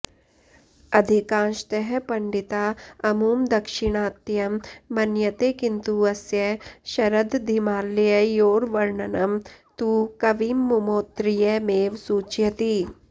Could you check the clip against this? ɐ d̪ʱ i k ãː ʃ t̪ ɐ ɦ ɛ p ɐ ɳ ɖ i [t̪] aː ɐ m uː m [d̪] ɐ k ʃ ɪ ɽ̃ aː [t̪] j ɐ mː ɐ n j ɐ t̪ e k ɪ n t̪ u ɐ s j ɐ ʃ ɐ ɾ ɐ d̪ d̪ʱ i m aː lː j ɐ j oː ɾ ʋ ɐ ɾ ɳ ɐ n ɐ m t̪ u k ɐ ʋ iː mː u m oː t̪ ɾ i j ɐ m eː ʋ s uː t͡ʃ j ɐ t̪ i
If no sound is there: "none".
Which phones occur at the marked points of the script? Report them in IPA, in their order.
t̪, d̪, t̪

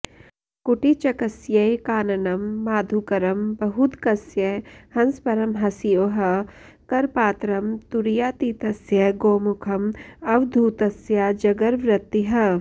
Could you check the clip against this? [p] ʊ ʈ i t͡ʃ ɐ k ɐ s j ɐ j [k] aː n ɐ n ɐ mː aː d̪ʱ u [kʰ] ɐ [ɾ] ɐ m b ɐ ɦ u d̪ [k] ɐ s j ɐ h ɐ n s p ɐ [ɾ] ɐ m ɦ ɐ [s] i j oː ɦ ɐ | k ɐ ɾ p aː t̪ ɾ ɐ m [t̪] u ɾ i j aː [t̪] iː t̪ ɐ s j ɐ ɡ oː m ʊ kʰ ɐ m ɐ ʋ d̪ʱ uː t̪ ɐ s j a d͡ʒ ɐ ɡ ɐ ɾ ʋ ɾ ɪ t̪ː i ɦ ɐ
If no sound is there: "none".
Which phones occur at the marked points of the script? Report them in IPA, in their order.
k, k, k, ɾ, k, ɾ, s, t̪, t̪

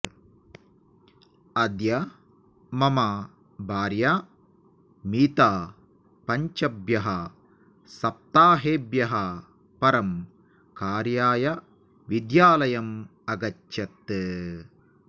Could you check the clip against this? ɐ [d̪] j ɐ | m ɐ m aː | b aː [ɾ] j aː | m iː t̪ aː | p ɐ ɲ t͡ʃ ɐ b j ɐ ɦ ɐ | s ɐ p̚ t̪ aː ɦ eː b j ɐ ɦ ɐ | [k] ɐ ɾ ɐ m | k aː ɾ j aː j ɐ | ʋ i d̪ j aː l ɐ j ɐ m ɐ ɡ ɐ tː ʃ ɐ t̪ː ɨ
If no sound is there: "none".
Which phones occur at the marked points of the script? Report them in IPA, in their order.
d̪, ɾ, p

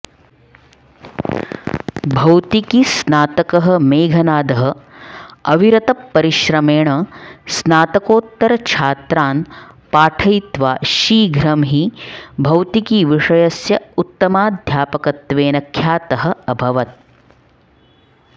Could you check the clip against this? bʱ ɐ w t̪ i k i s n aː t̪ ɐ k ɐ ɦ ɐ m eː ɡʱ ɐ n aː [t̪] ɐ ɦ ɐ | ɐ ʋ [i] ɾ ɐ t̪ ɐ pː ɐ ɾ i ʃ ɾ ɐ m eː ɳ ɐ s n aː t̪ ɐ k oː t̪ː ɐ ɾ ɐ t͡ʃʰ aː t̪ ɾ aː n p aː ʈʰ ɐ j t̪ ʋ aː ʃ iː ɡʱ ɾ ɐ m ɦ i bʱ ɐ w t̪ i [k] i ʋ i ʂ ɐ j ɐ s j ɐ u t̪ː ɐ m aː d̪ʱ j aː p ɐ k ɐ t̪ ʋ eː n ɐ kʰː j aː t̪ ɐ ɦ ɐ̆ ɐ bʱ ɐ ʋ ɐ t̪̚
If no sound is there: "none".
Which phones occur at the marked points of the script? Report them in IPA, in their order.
d̪, i, k

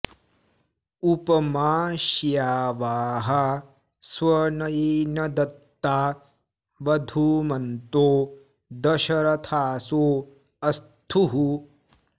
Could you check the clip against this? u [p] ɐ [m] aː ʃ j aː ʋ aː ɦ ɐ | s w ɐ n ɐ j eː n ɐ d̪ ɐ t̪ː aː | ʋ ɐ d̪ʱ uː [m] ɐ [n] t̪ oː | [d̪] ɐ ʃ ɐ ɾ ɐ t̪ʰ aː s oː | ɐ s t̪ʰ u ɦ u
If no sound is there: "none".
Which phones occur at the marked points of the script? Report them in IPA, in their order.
p, m, m, n, d̪

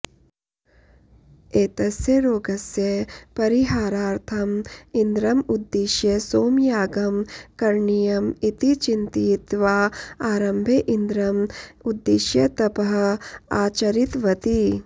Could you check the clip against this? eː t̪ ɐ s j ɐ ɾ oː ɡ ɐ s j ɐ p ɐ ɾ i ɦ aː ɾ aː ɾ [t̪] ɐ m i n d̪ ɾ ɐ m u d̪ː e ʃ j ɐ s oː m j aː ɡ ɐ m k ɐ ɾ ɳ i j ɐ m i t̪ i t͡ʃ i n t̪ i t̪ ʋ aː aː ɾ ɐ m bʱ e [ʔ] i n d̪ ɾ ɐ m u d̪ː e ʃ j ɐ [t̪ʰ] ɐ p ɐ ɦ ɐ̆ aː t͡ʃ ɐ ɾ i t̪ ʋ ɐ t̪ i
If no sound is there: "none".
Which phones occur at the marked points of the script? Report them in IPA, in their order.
t̪ʰ, ʔ, t̪

